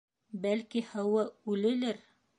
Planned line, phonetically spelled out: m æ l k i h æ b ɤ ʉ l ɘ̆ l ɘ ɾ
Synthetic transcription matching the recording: b æ l k i h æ w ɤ ʉ l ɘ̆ l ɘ ɾ